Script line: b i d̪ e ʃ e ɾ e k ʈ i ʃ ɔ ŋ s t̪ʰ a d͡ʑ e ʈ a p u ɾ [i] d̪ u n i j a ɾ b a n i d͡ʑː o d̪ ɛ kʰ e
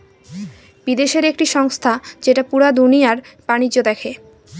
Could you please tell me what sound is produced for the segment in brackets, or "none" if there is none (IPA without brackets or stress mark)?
a